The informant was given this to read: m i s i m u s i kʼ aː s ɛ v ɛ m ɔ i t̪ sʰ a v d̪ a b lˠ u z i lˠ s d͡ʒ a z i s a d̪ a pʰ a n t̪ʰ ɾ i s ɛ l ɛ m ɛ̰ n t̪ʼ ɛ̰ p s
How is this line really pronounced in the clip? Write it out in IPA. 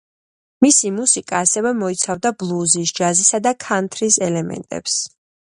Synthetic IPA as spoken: m i s i m u s i kʼ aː s ɛ v ɛ m ɔ i t̪ sʰ a v d̪ a b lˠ u z i s d͡ʒ a z i s a d̪ a kʰ a n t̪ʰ ɾ i s ɛ l ɛ m ɛ̰ n t̪ʼ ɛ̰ p s